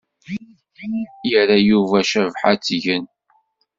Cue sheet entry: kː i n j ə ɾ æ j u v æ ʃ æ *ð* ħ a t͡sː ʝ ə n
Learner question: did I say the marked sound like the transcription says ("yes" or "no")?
no